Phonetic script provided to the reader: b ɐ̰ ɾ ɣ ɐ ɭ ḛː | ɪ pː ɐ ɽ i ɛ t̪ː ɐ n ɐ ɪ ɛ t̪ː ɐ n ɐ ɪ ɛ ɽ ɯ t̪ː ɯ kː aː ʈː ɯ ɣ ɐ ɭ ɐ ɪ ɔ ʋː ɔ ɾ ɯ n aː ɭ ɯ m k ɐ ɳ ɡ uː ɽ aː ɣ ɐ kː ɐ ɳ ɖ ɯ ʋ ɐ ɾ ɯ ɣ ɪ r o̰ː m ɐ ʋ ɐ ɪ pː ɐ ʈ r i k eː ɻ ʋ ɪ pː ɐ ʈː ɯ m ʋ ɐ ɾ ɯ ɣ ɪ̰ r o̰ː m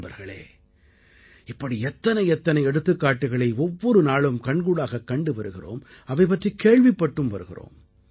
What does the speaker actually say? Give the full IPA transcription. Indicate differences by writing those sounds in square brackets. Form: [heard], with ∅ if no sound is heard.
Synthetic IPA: b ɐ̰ ɾ ɣ ɐ ɭ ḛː | ɪ pː ɐ ɽ i ɛ t̪ː ɐ n ɐ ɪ ɛ t̪ː ɐ n ɐ ɪ ɛ ɽ ɯ t̪ː ɯ kː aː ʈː ɯ ɣ ɐ ɭ ɐ ɪ ɔ ʋː ɔ ɾ ɯ n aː ɭ ɯ m k ɐ ɳ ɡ uː ɽ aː ɣ ɐ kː ɐ ɳ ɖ ɯ ʋ ɐ ɾ ɯ ɣ ɪ r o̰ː m ɐ ʋ ɐ ɪ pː ɐ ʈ r i k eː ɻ ʋ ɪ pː ɐ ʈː ɯ m ʋ ɐ ɾ ɯ ɣ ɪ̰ r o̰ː m

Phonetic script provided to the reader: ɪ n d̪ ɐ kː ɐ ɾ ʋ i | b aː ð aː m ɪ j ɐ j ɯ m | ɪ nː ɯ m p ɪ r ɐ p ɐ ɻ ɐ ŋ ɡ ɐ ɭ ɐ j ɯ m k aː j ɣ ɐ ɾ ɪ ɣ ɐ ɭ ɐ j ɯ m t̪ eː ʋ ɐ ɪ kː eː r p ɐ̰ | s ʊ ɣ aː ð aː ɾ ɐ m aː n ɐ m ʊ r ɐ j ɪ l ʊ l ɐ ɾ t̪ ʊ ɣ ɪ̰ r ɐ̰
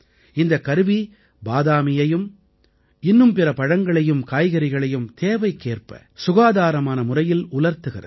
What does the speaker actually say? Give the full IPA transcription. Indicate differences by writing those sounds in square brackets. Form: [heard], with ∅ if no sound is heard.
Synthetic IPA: ɪ n d̪ ɐ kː ɐ ɾ ʋ i | b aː ð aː m ɪ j ɐ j ɯ m | ɪ nː ɯ m p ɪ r ɐ p ɐ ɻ ɐ ŋ ɡ ɐ ɭ ɐ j ɯ m k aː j ɣ ɐ ɾ ɪ ɣ ɐ ɭ ɐ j ɯ m t̪ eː ʋ ɐ ɪ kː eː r p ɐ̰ | s ʊ ɣ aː ð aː ɾ ɐ m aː n ɐ m ʊ r ɐ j ɪ l ʊ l ɐ ɾ t̪ [ɯ] ɣ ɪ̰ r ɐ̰

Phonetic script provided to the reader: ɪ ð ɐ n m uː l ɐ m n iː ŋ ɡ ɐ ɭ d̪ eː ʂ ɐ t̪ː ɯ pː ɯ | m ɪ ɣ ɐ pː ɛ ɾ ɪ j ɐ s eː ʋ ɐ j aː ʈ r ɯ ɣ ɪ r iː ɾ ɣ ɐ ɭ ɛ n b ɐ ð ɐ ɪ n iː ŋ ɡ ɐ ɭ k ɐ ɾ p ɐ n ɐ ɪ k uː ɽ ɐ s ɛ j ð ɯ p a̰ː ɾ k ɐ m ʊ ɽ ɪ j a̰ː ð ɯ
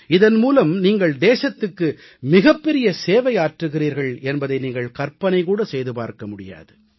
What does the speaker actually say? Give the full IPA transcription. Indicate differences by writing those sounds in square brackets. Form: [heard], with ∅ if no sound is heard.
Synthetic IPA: ɪ ð ɐ n m uː l ɐ m n iː ŋ ɡ ɐ ɭ d̪ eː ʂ ɐ t̪ː ɯ [kː] ɯ | m ɪ ɣ ɐ pː ɛ ɾ ɪ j ɐ s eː ʋ ɐ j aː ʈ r ɯ ɣ ɪ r iː ɾ ɣ ɐ ɭ ɛ n b ɐ ð ɐ ɪ n iː ŋ ɡ ɐ ɭ k ɐ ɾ p ɐ n ɐ ɪ k uː ɽ ɐ s ɛ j ð ɯ p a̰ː ɾ k ɐ m ʊ ɽ ɪ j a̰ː ð ɯ

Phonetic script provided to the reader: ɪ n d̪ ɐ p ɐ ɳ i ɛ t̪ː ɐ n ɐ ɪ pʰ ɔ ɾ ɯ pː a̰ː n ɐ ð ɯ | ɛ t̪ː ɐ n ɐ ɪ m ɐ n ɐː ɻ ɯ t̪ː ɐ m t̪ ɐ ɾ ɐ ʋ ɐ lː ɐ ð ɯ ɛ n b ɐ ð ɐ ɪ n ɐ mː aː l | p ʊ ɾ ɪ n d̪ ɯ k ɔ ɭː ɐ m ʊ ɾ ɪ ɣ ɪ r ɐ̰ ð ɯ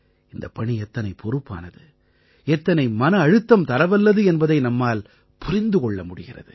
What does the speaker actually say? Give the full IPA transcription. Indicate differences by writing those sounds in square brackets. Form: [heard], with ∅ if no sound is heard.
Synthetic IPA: ɪ n d̪ ɐ p ɐ ɳ i ɛ t̪ː ɐ n ɐ ɪ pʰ ɔ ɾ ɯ pː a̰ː n ɐ ð ɯ | ɛ t̪ː ɐ n ɐ ɪ m ɐ n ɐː ɻ ɯ t̪ː ɐ m t̪ ɐ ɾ ɐ ʋ ɐ lː ɐ ð ɯ ɛ n b ɐ ð ɐ ɪ n ɐ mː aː l | p ʊ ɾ ɪ n d̪ ɯ k ɔ ɭː ɐ m ʊ [ɽ] ɪ ɣ ɪ r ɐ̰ ð ɯ

